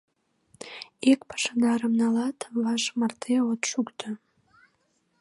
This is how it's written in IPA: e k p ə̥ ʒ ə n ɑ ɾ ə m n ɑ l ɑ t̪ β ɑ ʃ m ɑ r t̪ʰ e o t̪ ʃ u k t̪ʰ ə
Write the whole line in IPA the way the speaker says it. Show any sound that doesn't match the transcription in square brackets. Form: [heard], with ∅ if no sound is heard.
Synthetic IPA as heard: e k p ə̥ [ʃ] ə n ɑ ɾ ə m n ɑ l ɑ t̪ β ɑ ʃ m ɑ r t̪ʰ e o t̪ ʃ u k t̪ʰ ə